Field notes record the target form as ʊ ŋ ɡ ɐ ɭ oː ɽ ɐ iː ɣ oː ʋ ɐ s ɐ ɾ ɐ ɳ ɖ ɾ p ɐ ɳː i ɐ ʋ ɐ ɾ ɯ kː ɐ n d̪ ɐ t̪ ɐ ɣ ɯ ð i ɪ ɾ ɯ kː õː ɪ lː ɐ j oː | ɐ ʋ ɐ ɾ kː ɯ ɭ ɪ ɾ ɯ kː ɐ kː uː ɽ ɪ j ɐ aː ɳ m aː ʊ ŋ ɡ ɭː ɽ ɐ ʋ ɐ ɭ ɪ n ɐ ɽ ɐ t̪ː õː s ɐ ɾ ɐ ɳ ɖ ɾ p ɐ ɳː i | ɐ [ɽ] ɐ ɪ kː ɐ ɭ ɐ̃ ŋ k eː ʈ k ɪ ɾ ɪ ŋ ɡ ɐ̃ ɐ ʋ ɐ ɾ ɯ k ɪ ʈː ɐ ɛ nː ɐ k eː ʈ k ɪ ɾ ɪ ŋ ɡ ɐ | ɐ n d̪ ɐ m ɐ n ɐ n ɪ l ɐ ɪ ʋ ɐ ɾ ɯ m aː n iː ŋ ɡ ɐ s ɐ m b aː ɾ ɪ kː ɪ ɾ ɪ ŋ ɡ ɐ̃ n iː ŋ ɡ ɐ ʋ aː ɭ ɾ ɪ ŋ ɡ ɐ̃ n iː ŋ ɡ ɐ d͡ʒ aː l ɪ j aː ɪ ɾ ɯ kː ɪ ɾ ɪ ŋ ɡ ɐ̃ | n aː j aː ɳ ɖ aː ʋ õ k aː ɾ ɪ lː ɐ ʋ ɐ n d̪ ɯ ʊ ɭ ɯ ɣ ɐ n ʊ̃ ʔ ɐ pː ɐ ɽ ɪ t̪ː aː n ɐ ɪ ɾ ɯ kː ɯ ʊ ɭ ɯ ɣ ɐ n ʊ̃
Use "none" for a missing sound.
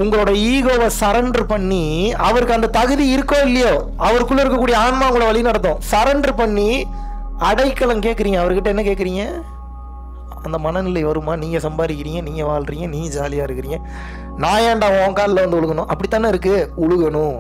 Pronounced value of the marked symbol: ɽ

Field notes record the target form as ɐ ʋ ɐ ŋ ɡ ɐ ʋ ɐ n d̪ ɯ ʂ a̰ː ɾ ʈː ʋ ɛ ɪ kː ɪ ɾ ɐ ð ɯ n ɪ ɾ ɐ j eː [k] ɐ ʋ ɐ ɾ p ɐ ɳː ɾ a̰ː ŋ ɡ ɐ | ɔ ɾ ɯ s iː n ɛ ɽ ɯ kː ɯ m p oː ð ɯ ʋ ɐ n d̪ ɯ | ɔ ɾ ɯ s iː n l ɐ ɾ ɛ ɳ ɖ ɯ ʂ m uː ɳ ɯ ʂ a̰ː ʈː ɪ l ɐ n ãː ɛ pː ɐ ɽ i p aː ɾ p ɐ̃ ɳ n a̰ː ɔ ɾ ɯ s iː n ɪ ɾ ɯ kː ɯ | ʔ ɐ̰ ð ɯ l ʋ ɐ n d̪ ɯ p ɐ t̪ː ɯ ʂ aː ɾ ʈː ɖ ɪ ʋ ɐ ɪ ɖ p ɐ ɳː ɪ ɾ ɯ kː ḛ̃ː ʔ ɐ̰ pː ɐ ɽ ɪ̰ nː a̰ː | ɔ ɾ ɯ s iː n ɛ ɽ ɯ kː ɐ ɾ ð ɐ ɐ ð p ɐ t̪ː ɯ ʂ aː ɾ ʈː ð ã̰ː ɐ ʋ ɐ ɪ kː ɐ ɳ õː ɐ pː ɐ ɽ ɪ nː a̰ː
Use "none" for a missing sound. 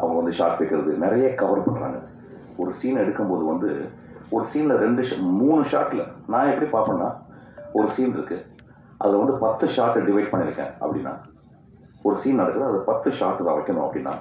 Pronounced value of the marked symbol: k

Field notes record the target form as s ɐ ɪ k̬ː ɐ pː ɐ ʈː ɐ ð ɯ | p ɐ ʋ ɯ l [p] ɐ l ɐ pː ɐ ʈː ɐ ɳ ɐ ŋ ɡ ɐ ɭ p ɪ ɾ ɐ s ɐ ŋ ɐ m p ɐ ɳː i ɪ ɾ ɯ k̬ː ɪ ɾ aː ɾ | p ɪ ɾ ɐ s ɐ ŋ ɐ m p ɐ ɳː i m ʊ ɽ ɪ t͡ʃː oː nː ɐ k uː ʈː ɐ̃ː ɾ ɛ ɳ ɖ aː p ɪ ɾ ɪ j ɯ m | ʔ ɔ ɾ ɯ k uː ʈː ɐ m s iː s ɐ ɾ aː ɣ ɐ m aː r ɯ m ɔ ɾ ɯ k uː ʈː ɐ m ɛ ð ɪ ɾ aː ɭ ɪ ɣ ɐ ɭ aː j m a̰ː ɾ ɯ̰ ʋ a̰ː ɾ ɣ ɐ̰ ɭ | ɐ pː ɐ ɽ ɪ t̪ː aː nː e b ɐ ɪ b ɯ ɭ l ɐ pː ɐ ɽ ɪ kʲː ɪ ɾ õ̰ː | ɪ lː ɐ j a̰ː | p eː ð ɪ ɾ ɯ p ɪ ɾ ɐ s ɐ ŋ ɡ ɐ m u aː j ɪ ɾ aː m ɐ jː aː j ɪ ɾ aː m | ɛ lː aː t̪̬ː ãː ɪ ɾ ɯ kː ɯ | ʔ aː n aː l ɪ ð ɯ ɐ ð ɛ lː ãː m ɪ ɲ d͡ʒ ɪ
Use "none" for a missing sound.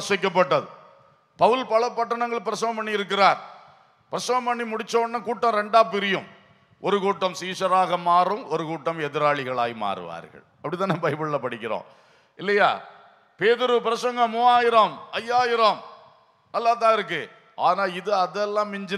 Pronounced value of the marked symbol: p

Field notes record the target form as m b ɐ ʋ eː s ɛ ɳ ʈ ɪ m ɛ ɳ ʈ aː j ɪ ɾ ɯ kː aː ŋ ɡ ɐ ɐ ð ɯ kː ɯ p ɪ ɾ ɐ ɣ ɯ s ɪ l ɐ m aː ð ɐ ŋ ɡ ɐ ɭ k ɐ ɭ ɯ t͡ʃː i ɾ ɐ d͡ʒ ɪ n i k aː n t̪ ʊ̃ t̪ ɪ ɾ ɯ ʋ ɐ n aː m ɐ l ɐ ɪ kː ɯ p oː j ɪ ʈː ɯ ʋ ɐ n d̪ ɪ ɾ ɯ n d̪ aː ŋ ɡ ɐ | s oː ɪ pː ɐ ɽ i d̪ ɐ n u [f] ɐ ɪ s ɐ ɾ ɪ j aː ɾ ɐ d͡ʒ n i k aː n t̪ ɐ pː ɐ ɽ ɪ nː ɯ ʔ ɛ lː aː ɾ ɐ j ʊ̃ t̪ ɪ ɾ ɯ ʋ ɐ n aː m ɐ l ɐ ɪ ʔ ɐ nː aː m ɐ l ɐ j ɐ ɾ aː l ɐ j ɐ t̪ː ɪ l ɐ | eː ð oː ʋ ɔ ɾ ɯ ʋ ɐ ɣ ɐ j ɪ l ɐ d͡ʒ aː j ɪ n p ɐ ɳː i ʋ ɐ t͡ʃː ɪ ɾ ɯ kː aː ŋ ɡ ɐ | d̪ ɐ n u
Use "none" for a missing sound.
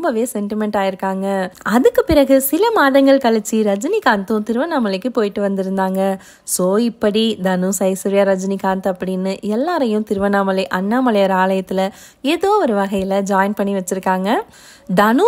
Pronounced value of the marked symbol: s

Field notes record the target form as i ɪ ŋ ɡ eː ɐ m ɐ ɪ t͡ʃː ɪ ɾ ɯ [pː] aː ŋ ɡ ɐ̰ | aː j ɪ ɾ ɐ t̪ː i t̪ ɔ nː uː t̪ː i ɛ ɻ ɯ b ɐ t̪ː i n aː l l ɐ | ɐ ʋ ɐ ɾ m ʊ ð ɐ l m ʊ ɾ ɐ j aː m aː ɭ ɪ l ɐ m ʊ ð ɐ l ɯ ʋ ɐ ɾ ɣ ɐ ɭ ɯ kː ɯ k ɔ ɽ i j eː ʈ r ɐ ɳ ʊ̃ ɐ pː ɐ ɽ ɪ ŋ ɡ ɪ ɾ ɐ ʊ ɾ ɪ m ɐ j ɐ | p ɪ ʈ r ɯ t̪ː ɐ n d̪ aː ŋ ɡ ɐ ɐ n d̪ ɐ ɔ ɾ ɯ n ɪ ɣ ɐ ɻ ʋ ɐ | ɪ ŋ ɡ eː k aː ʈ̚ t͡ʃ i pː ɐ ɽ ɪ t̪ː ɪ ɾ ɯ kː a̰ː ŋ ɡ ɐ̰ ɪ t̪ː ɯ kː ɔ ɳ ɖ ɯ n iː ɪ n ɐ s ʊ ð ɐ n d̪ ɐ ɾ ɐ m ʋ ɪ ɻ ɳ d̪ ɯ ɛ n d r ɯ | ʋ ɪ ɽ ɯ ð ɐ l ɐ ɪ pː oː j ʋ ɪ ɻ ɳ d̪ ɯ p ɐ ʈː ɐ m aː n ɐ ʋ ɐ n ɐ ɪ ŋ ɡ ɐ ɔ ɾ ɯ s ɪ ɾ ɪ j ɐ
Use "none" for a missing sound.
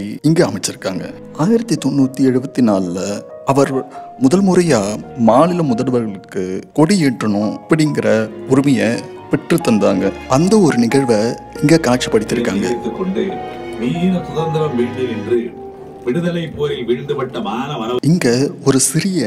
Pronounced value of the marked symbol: kː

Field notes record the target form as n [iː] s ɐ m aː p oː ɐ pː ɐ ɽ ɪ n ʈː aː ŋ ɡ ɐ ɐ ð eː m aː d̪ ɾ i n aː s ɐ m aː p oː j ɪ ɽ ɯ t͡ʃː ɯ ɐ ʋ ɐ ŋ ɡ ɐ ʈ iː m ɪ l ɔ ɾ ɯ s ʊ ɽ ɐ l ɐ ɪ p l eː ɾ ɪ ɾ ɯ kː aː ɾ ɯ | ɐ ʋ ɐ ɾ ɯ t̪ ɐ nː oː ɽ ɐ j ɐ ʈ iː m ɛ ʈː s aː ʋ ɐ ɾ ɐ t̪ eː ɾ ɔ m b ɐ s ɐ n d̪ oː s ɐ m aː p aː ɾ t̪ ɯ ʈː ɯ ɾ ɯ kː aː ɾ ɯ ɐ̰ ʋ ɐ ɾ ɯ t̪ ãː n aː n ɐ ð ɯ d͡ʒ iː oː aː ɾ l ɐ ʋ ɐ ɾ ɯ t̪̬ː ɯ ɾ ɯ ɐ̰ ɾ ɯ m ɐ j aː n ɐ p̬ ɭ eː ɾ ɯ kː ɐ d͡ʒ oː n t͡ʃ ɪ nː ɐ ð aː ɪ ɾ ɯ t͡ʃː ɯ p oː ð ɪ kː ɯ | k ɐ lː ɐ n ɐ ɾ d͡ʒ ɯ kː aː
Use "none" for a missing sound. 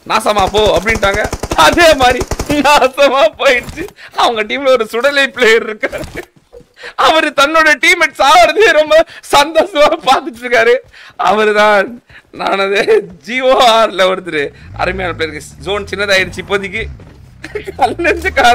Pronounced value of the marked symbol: aː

